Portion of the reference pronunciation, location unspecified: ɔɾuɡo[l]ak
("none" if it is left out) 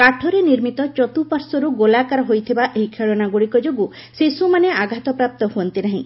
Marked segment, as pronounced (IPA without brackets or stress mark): l